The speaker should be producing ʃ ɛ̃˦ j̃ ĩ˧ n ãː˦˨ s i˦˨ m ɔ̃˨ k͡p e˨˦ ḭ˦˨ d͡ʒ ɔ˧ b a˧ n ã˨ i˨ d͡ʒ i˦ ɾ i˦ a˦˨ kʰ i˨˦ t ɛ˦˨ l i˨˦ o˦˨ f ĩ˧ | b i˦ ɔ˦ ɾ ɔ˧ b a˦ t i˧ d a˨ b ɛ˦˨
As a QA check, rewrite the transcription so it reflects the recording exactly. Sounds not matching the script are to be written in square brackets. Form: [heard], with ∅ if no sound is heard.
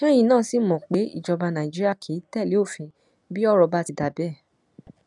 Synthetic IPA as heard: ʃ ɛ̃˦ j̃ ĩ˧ n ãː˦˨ s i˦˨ m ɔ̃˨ k͡p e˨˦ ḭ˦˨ d͡ʒ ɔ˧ b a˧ n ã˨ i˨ d͡ʒ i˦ ɾ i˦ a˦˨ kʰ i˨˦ t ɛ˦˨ l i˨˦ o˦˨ f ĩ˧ | b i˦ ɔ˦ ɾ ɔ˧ b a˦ t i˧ d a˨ b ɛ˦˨